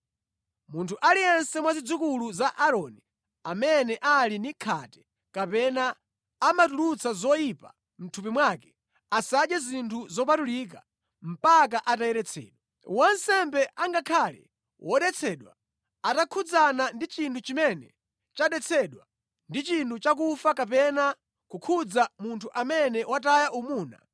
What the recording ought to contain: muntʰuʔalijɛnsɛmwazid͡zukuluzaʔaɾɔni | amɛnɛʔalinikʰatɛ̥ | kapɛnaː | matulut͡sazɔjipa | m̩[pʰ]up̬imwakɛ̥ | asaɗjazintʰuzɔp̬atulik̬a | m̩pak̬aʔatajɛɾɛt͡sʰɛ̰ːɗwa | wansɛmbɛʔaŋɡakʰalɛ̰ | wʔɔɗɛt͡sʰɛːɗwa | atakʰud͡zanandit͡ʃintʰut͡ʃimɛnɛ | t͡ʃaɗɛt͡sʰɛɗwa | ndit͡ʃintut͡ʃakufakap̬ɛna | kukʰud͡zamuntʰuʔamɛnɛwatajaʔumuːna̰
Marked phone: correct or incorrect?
incorrect